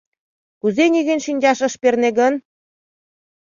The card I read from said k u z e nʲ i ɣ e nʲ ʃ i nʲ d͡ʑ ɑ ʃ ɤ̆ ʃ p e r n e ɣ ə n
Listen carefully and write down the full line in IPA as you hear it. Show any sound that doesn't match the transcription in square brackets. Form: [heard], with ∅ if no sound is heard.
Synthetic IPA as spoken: k u z e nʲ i ɣ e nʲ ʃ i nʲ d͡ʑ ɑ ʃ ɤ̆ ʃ p e r n e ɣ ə n